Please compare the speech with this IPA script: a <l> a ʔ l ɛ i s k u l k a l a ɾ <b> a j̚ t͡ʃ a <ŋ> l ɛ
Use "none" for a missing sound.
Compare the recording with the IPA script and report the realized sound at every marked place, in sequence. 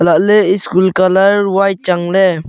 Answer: l, w, ŋ

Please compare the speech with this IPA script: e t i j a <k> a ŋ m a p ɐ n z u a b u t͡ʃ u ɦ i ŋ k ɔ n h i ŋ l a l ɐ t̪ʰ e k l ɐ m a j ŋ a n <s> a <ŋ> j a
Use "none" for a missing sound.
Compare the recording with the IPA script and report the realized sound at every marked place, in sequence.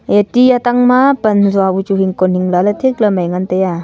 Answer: t, t, none

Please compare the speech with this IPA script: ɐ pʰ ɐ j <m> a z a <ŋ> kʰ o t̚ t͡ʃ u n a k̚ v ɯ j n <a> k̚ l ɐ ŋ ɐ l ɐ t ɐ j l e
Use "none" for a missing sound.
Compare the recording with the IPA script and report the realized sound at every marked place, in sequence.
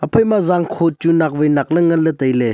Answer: m, ŋ, a

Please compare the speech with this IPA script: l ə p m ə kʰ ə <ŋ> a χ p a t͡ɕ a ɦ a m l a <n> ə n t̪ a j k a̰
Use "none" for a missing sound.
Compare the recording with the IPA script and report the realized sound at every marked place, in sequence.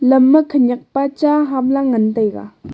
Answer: ɲ, ŋ

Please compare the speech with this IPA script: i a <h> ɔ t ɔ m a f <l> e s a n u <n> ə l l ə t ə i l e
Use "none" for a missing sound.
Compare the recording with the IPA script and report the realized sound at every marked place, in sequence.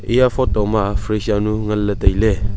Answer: f, ɾ, ŋ

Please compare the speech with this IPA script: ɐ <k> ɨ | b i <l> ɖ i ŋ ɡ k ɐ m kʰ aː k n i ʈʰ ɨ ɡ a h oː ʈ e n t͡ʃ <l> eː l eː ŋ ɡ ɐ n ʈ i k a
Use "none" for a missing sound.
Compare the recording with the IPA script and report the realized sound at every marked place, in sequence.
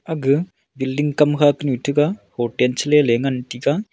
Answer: ɡ, l, l

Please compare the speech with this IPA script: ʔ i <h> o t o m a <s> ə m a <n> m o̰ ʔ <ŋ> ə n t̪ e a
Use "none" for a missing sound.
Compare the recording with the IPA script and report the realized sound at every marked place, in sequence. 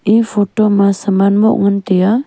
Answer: f, s, n, ŋ

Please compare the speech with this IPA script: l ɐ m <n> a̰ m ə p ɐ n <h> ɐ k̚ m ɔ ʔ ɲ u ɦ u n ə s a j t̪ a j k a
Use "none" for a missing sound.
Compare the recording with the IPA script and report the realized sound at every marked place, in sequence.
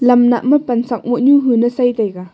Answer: n, s

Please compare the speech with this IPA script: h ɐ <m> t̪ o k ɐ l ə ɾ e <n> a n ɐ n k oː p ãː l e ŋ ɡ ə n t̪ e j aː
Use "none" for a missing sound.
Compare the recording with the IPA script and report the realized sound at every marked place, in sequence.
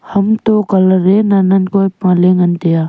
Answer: m, n

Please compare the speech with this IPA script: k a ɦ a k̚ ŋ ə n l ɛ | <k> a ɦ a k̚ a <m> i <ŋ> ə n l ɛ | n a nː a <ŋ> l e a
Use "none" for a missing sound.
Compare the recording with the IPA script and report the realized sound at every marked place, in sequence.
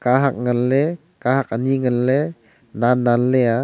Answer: k, n, ŋ, n

